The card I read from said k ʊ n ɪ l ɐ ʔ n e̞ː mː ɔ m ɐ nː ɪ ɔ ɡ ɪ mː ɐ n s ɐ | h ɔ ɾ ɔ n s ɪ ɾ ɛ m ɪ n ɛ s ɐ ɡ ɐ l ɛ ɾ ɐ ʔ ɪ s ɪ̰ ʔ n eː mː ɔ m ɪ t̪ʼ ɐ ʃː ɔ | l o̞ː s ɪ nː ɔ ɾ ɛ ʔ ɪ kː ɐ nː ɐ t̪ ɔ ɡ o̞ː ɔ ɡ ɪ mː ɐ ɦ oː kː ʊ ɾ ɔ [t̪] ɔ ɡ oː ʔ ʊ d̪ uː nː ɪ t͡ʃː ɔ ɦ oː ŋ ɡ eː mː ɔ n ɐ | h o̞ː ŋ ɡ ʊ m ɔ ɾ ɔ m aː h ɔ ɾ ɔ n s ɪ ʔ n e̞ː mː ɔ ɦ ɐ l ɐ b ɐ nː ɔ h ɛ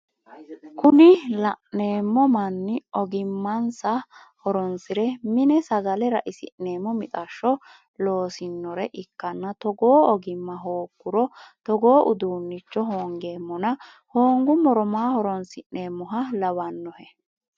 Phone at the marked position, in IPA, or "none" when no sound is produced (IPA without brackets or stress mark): t̪